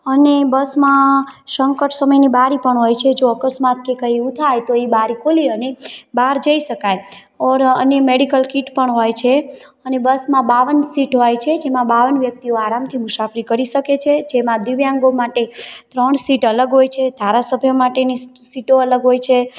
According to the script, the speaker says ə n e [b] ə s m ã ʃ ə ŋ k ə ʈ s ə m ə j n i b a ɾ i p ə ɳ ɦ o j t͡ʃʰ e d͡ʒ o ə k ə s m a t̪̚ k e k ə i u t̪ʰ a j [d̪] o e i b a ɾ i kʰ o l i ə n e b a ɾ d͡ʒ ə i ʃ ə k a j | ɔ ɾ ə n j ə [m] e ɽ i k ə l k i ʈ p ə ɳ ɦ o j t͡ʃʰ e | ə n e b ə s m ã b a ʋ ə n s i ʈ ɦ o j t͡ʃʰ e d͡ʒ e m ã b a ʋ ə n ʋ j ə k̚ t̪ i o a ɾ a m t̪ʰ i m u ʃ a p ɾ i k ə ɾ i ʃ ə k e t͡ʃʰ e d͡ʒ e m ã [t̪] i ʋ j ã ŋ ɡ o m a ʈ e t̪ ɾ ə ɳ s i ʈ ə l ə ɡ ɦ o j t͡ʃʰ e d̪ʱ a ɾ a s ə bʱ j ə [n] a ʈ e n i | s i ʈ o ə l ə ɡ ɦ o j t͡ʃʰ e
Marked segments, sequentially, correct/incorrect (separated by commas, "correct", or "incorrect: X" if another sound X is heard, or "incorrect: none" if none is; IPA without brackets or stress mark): correct, incorrect: t̪, correct, incorrect: d̪, incorrect: m